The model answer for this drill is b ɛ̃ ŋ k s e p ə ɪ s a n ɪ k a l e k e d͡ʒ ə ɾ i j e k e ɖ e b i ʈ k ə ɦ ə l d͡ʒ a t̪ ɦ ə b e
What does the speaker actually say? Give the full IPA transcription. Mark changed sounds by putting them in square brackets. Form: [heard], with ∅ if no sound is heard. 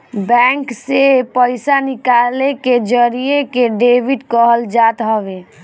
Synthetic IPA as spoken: b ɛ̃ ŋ k s e p ə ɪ s a n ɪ k a l e k e d͡ʒ ə ɾ i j e k e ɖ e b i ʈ k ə ɦ ə l d͡ʒ a t̪ ɦ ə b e